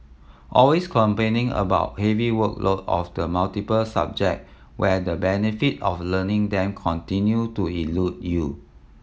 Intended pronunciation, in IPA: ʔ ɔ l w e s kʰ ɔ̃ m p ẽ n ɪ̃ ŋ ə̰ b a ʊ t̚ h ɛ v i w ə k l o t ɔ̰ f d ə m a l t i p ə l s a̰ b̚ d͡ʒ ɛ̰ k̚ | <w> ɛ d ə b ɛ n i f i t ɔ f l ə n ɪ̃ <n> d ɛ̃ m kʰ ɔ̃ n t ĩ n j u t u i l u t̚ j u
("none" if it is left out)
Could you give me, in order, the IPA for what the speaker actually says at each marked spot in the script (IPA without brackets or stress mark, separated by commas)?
w, ŋ